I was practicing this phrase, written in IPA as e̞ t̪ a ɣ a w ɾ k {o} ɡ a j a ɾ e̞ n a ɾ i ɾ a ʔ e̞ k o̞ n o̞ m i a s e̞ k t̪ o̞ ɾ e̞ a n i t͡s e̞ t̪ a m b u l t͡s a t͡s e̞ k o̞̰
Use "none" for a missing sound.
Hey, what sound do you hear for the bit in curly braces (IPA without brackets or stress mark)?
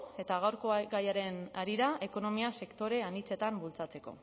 o